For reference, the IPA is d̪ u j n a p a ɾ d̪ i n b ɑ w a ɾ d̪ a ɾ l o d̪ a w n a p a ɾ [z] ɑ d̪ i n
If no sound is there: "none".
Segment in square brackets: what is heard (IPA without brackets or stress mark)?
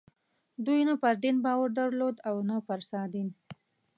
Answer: s